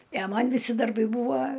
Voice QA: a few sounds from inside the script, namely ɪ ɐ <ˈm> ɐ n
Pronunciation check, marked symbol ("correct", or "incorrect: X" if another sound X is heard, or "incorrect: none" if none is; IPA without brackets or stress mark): correct